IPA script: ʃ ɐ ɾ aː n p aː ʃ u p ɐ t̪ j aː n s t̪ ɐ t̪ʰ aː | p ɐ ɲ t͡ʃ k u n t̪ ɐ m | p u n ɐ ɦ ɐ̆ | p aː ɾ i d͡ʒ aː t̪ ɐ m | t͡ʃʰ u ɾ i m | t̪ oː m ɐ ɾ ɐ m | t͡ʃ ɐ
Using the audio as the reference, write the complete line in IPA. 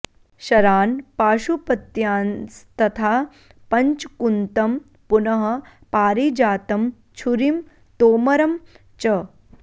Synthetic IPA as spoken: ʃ ɐ ɾ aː n p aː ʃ u p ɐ t̪ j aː n s t̪ ɐ t̪ʰ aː | p ɐ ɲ t͡ʃ k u n t̪ ɐ m | p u n ɐ ɦ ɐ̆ | p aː ɾ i d͡ʒ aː t̪ ɐ m | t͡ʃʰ u ɾ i m | t̪ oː m ɐ ɾ ɐ m | t͡ʃ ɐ